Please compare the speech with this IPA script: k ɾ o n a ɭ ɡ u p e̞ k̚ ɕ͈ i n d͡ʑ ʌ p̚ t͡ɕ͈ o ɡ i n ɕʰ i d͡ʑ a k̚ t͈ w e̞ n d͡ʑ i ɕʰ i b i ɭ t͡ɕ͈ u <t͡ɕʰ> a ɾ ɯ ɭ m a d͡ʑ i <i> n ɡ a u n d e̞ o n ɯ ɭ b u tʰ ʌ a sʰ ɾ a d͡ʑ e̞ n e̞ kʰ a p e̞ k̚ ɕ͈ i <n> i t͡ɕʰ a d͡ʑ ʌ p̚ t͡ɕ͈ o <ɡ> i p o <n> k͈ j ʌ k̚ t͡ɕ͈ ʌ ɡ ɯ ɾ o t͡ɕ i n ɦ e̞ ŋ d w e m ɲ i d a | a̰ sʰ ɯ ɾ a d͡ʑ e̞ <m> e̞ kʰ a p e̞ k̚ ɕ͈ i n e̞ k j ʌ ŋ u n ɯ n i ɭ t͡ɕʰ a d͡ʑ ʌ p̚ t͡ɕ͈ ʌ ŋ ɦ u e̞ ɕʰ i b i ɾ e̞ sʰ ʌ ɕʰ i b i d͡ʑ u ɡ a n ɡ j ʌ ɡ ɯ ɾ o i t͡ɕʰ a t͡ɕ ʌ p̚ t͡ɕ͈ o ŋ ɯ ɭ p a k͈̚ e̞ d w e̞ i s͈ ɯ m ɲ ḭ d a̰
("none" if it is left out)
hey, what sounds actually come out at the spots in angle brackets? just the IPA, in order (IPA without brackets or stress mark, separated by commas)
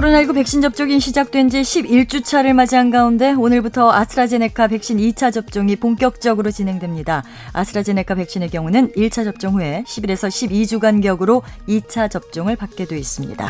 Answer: t͡ɕʰ, a, n, ŋ, ŋ, n